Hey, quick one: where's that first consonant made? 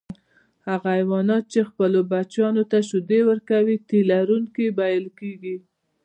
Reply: throat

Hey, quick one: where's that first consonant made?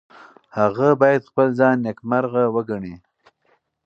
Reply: throat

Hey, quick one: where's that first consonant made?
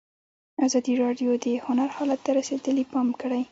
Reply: tongue tip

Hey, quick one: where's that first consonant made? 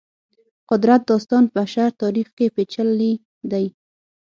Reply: uvula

